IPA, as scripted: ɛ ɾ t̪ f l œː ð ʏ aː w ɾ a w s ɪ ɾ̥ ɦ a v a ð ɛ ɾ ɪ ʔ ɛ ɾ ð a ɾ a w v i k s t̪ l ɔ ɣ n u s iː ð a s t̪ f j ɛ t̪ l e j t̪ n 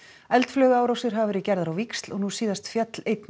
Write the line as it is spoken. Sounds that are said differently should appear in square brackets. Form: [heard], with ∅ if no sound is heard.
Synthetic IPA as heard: ɛ [l] t̪ f l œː [ɣ] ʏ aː w ɾ a w s ɪ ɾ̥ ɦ a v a [v] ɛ ɾ ɪ [c] ɛ ɾ ð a ɾ a w v i k s t̪ l ɔ ɣ n u s iː ð a s t̪ f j ɛ t̪ l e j t̪ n